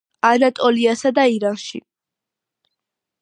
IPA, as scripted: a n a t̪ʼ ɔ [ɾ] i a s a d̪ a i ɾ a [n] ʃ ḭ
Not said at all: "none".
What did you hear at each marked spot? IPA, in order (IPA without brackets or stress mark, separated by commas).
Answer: l, n